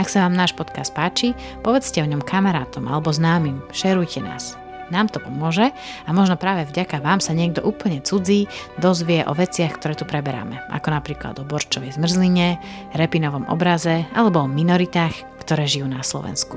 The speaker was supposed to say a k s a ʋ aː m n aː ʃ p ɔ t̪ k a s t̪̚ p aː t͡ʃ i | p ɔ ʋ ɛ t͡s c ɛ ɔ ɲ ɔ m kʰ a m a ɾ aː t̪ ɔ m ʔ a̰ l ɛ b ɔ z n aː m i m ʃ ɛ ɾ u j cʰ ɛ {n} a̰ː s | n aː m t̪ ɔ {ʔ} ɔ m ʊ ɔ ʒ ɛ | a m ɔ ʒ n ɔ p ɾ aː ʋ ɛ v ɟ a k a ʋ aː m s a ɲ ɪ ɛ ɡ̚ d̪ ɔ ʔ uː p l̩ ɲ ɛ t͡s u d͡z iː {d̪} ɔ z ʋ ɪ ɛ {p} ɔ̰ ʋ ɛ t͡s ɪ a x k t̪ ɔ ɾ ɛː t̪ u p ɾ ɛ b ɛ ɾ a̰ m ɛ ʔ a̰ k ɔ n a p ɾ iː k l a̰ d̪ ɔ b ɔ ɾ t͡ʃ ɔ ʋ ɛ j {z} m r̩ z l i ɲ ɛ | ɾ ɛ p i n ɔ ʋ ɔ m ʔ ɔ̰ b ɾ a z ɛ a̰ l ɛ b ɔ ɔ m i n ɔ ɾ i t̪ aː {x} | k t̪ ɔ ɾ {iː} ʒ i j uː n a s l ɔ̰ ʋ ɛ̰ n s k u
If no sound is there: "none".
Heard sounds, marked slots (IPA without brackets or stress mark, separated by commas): n, p, d̪, ʔ, z, x, ɛː